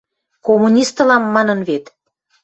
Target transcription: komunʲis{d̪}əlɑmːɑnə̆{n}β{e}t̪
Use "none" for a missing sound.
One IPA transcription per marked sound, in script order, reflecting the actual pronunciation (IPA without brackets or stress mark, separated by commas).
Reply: t̪, n, e